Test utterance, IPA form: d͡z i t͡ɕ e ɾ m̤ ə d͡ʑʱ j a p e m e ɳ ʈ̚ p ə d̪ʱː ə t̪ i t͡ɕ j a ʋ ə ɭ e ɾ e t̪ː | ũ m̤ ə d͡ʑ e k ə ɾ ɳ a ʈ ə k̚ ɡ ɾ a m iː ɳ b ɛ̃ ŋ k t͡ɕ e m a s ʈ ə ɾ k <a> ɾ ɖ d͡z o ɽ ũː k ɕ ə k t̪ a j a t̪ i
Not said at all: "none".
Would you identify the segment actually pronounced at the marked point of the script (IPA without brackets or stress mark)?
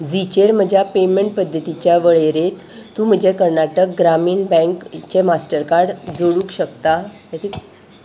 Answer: a